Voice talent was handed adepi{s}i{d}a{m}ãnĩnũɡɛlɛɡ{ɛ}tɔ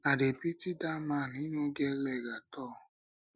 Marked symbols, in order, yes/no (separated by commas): no, yes, yes, no